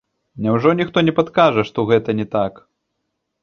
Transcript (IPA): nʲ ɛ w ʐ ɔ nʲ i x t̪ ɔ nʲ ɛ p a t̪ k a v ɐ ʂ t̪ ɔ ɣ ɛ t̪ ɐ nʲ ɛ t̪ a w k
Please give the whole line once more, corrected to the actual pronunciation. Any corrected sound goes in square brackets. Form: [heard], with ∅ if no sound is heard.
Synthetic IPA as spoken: nʲ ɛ w ʐ ɔ nʲ i x t̪ ɔ nʲ ɛ p a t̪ k a [ʐ] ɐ ʂ t̪ ɔ ɣ ɛ t̪ ɐ nʲ ɛ t̪ a [∅] k